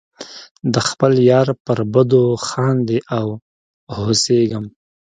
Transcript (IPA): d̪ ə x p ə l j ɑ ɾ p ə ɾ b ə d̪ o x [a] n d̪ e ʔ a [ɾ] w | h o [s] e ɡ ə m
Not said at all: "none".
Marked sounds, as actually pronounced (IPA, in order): ɑ, none, s

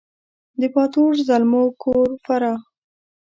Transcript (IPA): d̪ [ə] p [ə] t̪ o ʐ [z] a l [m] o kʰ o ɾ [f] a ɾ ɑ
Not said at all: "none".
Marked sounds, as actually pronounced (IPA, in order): ə, ɑ, z, m, f

